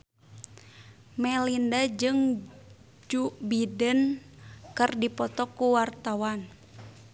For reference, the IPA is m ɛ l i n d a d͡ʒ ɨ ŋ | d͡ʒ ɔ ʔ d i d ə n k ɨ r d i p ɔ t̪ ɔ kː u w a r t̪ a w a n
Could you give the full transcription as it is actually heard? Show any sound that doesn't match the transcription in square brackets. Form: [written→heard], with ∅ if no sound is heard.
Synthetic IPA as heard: m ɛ l i n d a d͡ʒ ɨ ŋ | d͡ʒ [ɔ→u] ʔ [d→b] i d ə n k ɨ r d i p ɔ t̪ ɔ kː u w a r t̪ a w a n

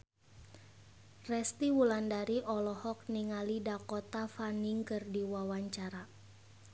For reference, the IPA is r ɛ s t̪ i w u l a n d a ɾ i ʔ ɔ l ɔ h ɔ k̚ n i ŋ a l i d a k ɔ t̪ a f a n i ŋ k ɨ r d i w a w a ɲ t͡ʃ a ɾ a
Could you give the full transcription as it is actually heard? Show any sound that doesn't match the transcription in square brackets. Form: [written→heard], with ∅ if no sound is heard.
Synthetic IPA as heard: r ɛ s t̪ i w u l a n d a ɾ i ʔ ɔ l ɔ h ɔ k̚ n i ŋ a l i d a k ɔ t̪ a f a n i ŋ k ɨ r d i w a w a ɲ t͡ʃ a ɾ a

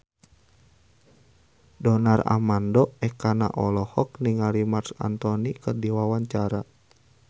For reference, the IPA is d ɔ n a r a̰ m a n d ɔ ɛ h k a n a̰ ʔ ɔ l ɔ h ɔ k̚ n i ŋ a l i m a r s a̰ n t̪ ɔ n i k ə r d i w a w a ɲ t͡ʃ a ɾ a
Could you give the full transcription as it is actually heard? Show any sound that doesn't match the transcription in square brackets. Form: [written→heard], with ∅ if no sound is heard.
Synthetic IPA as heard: d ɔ n a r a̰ m a n d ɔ ɛ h k a n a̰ ʔ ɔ l ɔ h ɔ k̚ n i ŋ a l i m a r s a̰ n t̪ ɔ n i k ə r d i w a w a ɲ t͡ʃ a ɾ a

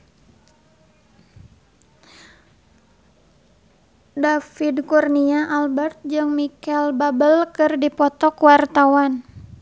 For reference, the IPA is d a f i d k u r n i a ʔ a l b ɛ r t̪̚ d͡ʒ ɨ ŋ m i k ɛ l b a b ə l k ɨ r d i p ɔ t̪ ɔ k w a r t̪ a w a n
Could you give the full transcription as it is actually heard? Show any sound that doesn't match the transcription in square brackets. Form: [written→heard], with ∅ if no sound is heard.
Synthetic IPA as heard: d a f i d k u r n i a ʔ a l b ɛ r t̪̚ d͡ʒ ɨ ŋ m i k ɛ l b a b ə l k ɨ r d i p ɔ t̪ ɔ k w a r t̪ a w a n

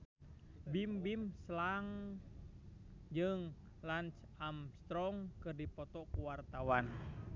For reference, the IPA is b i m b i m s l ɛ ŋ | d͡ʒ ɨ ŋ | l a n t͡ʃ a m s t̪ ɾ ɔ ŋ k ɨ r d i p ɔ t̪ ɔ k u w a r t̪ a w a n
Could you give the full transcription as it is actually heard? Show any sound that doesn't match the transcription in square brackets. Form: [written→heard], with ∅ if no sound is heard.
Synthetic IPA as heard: b i m b i m s l [ɛ→a] ŋ | d͡ʒ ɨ ŋ | l a n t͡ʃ a m s t̪ ɾ ɔ ŋ k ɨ r d i p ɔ t̪ ɔ k u w a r t̪ a w a n

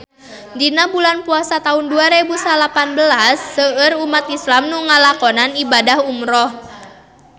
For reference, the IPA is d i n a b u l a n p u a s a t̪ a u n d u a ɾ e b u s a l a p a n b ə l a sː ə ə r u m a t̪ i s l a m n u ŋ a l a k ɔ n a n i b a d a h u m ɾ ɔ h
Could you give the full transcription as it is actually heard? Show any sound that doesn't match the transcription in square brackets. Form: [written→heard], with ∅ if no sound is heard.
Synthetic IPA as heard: d i n a b u l a n p u a s a t̪ a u n d u a ɾ e b u s a l a p a n b ə l a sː ə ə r u m a t̪ i s l a m n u ŋ a l a k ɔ n a n i b a d a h u m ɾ ɔ h

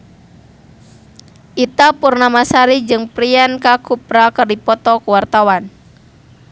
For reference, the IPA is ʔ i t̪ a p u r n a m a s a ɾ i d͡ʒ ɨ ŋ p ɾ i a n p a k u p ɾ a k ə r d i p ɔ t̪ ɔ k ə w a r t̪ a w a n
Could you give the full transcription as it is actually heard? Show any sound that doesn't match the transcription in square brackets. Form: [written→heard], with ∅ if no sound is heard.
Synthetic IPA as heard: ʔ i t̪ a p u r n a m a s a ɾ i d͡ʒ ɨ ŋ p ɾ i a n [p→k] a k u p ɾ a k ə r d i p ɔ t̪ ɔ k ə w a r t̪ a w a n

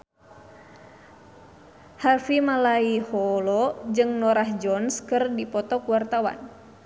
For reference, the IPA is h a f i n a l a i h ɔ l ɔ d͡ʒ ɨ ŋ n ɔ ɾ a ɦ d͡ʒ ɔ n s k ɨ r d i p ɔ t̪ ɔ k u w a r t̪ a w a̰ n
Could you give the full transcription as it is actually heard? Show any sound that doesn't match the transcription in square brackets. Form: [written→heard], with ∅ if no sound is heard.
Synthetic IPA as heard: h a f i [n→m] a l a i h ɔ l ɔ d͡ʒ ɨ ŋ n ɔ ɾ a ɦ d͡ʒ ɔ n s k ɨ r d i p ɔ t̪ ɔ k u w a r t̪ a w a̰ n

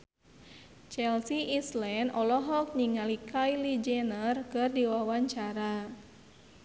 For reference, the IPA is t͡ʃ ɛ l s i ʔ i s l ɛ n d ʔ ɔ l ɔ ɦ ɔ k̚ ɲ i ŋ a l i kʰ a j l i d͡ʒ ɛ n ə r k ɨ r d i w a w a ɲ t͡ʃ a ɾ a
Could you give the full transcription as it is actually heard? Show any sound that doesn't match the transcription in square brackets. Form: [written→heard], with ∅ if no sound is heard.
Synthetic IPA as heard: t͡ʃ ɛ l s i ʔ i s l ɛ n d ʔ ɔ l ɔ ɦ ɔ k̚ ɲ i ŋ a l i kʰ a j l i d͡ʒ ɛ n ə r k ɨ r d i w a w a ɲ t͡ʃ a ɾ a

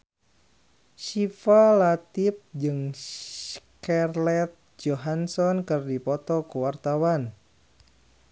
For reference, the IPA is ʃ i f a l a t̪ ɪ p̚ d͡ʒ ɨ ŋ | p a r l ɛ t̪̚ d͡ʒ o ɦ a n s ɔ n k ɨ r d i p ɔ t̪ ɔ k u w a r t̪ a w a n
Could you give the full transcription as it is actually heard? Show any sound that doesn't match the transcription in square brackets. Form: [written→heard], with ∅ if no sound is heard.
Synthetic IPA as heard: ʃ i f a l a t̪ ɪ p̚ d͡ʒ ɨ ŋ | [p→k] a r l ɛ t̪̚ d͡ʒ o ɦ a n s ɔ n k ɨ r d i p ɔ t̪ ɔ k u w a r t̪ a w a n

